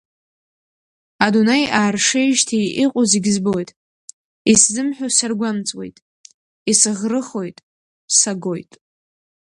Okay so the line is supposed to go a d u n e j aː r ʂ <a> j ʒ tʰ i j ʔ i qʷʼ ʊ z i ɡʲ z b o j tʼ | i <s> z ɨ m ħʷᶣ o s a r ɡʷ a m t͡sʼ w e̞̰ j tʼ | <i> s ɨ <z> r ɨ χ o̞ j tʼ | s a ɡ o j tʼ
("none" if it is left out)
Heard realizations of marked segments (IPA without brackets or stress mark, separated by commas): e, s, i, ʁ